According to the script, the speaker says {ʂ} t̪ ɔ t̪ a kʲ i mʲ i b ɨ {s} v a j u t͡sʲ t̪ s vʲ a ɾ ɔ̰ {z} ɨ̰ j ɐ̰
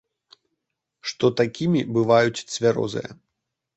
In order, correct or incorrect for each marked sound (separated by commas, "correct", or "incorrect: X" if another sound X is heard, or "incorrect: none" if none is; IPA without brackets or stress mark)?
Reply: correct, incorrect: none, correct